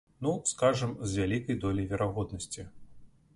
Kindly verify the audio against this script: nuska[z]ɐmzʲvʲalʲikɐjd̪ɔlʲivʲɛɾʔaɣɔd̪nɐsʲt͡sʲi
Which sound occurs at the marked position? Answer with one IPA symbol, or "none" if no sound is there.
ʐ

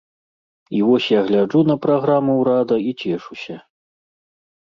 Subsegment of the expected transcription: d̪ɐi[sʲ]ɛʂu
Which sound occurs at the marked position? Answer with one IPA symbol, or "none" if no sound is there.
t͡sʲ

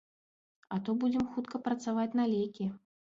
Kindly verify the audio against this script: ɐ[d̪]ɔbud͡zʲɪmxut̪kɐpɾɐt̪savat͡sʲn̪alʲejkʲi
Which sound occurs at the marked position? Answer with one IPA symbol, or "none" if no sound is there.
t̪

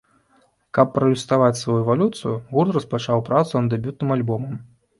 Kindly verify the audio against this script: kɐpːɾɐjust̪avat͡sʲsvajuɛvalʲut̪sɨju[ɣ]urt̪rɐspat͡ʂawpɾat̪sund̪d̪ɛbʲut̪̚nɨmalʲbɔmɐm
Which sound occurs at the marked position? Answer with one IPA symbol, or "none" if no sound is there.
ɣ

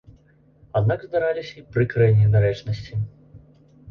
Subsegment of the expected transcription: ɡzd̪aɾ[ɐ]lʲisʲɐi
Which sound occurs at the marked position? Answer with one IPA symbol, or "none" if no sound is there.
a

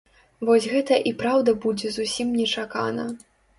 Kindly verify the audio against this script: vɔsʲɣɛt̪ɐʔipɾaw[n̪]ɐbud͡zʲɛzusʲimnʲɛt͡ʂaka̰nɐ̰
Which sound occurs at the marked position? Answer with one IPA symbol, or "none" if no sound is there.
d̪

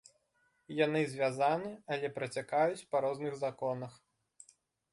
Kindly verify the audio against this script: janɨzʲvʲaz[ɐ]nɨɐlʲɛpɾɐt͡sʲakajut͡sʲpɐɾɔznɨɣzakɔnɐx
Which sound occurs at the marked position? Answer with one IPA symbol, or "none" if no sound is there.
a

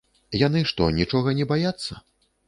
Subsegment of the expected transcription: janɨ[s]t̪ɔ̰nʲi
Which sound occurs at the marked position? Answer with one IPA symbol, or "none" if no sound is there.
ʂ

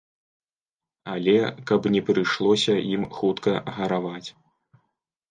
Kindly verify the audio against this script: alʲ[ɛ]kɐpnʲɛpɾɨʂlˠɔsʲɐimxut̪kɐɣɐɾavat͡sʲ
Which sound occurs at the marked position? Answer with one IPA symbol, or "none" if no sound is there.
ɛ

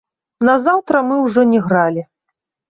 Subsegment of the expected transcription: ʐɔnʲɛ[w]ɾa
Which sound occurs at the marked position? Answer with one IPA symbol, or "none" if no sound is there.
ɣ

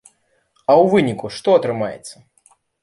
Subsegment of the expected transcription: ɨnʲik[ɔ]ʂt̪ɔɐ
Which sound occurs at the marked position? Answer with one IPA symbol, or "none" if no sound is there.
u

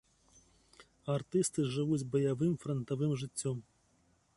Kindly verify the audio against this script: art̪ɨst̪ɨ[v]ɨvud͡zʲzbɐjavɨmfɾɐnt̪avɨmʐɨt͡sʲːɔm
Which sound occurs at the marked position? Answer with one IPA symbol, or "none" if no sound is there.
ʐ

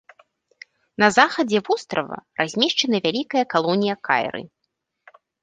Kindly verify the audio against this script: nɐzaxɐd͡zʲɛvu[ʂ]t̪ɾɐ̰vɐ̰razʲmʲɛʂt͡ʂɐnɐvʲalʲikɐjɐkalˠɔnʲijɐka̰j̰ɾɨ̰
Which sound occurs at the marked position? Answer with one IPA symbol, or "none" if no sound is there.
s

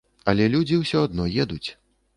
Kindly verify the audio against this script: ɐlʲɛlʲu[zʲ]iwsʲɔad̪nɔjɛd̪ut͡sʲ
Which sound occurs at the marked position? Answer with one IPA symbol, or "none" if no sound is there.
d͡zʲ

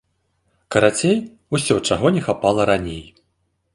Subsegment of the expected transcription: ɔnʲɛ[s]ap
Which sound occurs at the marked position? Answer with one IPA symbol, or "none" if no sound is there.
x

